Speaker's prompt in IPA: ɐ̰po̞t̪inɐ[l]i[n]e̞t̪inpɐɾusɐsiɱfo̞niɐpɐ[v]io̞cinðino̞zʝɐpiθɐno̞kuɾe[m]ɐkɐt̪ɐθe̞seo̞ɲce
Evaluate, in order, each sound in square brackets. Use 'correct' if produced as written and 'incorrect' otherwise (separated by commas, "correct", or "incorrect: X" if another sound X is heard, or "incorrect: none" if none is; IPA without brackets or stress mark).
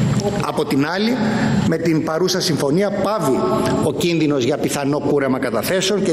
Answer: correct, incorrect: m, correct, correct